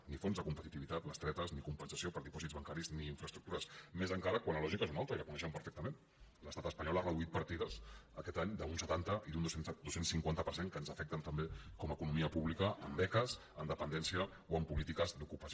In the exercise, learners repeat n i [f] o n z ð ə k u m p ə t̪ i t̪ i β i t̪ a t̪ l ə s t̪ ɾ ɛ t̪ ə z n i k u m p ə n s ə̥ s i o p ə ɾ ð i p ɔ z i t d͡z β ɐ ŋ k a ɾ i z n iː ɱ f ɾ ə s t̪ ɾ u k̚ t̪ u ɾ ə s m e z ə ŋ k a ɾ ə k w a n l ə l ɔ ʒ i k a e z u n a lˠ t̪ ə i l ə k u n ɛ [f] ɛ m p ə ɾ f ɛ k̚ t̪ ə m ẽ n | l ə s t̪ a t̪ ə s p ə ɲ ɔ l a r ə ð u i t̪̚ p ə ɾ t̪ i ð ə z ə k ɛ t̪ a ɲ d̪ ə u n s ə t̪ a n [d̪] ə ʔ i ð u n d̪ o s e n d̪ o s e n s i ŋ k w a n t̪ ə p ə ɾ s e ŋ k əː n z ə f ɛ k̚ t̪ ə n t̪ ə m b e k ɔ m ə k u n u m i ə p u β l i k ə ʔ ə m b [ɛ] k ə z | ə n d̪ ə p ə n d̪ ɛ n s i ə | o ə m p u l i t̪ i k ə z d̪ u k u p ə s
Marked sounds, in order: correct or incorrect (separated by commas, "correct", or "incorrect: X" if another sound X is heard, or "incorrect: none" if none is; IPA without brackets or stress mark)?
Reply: correct, incorrect: ʃ, incorrect: t̪, correct